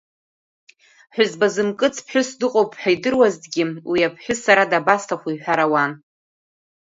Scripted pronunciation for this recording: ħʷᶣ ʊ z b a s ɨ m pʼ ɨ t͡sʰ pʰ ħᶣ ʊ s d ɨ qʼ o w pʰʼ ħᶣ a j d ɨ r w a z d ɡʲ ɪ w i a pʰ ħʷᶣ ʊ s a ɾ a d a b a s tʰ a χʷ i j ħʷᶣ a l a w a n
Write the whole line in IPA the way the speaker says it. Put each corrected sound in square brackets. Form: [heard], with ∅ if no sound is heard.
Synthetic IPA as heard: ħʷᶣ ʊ z b a [z] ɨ m [kʼ] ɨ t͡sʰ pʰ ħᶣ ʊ s d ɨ qʼ o w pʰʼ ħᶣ a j d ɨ r w a z d ɡʲ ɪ w i a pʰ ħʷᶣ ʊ s a ɾ a d a b a s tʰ a χʷ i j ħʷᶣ a [ɾ] a w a n